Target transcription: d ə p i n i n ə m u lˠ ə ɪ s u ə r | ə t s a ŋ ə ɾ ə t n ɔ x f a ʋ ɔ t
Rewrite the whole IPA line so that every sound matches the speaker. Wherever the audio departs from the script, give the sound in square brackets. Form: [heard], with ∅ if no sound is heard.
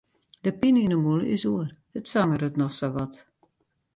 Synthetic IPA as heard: d ə p i n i n ə m u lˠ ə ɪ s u ə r | ə t s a ŋ ə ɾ ə t n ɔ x [s] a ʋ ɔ t